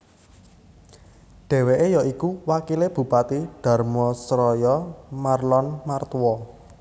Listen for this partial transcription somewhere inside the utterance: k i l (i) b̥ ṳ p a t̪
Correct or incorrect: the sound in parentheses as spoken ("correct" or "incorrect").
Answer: incorrect